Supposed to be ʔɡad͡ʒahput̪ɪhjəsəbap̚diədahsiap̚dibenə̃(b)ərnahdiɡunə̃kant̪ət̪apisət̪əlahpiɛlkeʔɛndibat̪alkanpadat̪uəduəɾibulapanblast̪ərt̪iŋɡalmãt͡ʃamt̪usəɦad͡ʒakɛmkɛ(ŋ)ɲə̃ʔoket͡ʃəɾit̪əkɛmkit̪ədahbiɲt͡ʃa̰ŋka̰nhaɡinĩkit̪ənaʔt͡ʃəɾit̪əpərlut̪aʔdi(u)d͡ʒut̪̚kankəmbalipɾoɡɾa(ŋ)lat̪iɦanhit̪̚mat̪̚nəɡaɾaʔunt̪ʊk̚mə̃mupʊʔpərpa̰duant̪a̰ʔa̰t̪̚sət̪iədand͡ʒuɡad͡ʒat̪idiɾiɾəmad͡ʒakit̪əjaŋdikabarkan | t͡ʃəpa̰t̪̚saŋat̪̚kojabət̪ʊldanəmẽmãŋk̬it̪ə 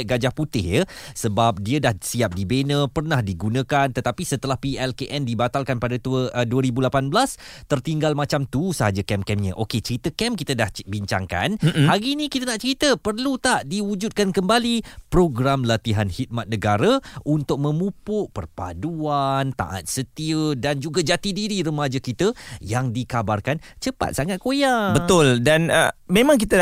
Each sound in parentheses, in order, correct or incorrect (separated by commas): incorrect, incorrect, correct, incorrect